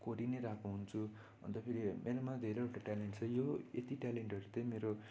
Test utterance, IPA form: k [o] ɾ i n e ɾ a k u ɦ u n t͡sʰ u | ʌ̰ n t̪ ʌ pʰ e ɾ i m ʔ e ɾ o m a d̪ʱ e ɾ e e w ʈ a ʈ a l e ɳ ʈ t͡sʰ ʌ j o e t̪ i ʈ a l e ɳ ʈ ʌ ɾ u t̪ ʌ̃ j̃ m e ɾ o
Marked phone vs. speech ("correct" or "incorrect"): correct